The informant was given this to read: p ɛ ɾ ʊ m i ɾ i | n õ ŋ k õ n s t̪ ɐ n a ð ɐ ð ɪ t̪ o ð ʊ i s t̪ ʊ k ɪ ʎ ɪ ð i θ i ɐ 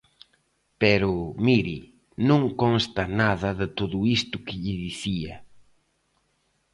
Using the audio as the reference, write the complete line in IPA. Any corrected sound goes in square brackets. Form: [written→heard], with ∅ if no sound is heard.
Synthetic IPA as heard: p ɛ ɾ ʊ m i ɾ i | n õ ŋ k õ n s t̪ ɐ n a ð ɐ ð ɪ t̪ o ð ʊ i s t̪ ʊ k ɪ ʎ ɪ ð i θ i ɐ